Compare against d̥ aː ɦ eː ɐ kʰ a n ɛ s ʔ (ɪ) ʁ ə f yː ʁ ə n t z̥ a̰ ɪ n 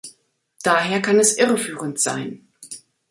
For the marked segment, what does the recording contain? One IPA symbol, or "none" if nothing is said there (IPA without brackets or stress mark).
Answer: ɪ